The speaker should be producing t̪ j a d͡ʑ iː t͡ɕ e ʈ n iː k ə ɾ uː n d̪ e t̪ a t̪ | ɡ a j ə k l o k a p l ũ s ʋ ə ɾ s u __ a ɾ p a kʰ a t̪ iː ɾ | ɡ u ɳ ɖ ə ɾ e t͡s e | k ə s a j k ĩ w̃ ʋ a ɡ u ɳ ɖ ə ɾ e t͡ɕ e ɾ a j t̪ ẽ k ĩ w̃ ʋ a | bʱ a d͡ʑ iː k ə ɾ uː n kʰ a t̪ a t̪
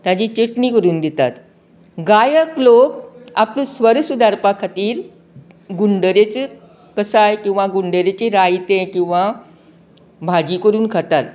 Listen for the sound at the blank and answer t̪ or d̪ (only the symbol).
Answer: d̪